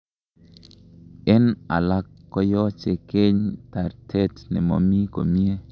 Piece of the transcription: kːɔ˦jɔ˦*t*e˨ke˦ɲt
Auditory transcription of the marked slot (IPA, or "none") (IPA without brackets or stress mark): t͡ʃ